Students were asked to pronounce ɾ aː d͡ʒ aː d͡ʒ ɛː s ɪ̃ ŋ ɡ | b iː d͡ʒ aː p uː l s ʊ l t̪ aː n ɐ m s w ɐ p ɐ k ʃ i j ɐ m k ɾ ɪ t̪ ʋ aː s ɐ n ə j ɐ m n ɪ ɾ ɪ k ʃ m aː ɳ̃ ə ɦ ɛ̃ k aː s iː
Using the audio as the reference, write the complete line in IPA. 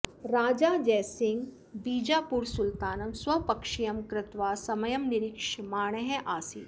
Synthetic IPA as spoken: ɾ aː d͡ʒ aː d͡ʒ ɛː s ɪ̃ ŋ ɡ | b iː d͡ʒ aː p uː ɾ s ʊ l t̪ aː n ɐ m s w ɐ p ɐ k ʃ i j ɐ m k ɾ ɪ t̪ ʋ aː s ɐ m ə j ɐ m n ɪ ɾ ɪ k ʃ m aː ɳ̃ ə ɦ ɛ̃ ʔ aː s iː